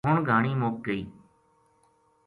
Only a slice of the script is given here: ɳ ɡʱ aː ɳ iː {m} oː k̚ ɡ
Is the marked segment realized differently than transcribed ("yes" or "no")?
no